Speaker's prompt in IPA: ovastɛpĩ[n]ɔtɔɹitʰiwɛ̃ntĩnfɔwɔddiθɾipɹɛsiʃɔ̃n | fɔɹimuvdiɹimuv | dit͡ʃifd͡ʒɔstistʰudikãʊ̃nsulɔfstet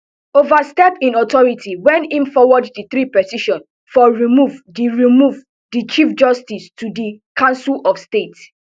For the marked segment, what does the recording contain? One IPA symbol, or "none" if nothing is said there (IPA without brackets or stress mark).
n